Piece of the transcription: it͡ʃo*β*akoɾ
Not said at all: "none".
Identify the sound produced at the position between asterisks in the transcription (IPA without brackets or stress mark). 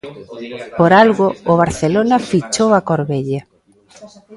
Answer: w